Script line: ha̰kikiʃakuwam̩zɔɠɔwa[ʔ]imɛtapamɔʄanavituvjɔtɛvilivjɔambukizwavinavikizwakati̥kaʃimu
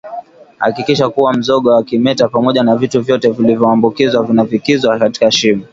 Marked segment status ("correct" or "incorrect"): incorrect